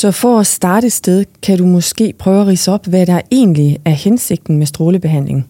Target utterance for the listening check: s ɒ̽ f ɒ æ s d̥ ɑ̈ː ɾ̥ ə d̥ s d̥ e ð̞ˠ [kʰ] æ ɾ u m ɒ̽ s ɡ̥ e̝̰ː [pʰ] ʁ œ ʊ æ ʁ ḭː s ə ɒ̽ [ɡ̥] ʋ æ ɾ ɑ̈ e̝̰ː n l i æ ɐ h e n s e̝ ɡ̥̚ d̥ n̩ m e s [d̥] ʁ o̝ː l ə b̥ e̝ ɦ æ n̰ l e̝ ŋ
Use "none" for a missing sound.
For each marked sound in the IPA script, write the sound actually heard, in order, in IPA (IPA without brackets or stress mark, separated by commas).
kʰ, pʰ, b̥, d̥